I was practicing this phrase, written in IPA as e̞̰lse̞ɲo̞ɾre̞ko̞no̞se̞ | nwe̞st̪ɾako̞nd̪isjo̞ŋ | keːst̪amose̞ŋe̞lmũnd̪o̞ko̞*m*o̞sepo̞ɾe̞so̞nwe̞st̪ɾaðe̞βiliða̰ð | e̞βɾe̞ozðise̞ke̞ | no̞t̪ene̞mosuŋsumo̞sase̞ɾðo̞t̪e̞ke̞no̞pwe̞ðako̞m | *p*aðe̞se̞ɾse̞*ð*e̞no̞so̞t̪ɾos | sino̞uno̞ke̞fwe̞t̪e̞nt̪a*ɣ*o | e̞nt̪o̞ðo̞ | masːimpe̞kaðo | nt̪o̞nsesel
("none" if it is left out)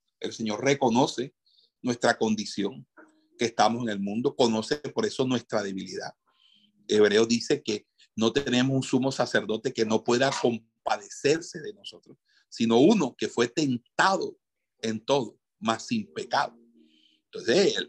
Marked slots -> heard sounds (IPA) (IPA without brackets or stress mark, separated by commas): n, p, ð, ð